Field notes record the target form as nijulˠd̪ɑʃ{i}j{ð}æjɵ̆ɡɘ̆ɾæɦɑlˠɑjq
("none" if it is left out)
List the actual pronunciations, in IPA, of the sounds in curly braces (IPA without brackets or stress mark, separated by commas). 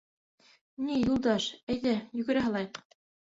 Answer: æ, ð